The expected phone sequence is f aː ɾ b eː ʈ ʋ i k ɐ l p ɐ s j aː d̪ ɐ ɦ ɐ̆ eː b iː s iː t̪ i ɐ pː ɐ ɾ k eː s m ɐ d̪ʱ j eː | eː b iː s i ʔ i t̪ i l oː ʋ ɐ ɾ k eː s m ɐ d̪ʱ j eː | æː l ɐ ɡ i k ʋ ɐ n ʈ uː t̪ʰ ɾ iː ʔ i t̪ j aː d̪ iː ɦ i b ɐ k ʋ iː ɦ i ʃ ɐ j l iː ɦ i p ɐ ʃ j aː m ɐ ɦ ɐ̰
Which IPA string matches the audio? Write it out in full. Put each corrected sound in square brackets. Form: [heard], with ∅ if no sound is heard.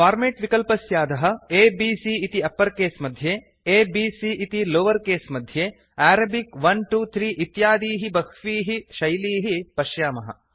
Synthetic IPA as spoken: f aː ɾ [m] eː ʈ ʋ i k ɐ l p ɐ s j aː d̪ ɐ ɦ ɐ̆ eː b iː s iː t̪ i ɐ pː ɐ ɾ k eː s m ɐ d̪ʱ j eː | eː b iː s i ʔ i t̪ i l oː ʋ ɐ ɾ k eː s m ɐ d̪ʱ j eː | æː [ɾ] ɐ [b] i k ʋ ɐ n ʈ uː t̪ʰ ɾ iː ʔ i t̪ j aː d̪ iː ɦ i b ɐ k ʋ iː ɦ i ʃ ɐ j l iː ɦ i p ɐ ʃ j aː m ɐ ɦ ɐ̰